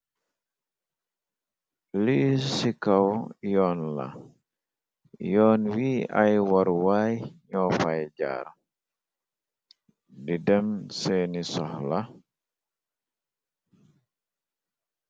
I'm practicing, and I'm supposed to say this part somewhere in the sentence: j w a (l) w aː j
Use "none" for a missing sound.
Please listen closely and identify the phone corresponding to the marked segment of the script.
ɾ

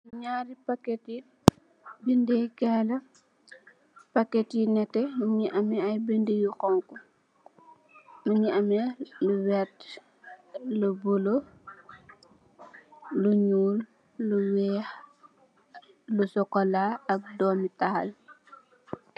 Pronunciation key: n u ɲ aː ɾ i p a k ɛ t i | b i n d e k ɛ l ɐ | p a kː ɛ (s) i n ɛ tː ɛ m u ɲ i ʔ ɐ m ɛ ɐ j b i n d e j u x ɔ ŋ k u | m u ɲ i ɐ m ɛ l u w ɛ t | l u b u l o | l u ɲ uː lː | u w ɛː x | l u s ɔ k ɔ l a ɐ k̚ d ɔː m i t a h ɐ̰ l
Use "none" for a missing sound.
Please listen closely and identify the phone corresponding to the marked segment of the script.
t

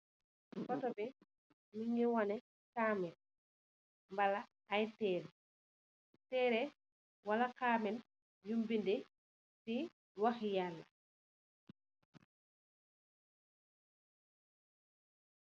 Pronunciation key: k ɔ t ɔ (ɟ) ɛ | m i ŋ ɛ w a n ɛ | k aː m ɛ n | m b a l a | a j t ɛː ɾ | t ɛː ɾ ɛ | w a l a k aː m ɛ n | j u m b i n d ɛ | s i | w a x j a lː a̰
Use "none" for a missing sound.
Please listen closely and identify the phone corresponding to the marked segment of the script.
b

